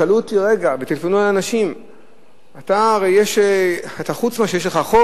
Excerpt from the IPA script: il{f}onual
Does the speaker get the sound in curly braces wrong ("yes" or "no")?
no